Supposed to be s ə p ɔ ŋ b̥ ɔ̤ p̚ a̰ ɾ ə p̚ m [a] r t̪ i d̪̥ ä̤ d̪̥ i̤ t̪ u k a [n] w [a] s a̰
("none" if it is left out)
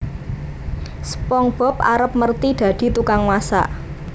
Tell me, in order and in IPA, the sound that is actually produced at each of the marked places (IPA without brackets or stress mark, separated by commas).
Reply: ə, ŋ, a